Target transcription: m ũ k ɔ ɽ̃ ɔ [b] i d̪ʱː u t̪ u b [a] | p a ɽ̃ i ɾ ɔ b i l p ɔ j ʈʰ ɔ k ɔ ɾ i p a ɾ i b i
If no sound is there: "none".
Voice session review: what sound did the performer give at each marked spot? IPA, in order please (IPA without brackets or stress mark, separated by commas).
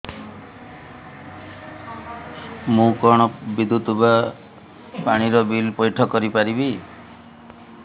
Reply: b, a